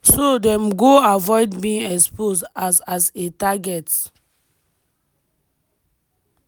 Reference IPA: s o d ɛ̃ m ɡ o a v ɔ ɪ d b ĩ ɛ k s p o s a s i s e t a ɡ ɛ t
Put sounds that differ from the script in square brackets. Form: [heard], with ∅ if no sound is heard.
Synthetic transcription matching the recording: s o d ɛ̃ m ɡ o a v ɔ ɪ d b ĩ ɛ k s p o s a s [a] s e t a ɡ ɛ t